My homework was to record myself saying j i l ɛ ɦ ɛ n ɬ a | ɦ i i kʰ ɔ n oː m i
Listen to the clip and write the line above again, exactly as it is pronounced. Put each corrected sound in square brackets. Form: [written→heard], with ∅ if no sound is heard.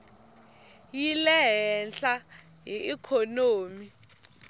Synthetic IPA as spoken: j i l ɛ ɦ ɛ n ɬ a | ɦ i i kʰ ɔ n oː m i